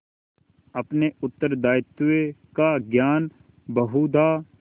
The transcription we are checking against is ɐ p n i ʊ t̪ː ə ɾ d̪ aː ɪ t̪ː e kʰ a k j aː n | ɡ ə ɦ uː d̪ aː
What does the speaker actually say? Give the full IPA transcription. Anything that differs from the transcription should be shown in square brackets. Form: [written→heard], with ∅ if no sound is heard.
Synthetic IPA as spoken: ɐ p n [i→e] ʊ t̪ː ə ɾ d̪ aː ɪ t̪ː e [kʰ→k] a [k→ɡ] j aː n | [ɡ→b] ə ɦ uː d̪ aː